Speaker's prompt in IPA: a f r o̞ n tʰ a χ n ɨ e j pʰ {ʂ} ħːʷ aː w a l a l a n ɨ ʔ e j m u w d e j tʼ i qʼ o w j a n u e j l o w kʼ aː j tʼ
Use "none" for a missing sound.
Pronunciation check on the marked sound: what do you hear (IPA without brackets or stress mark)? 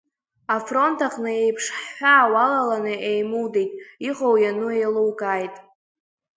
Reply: ʂ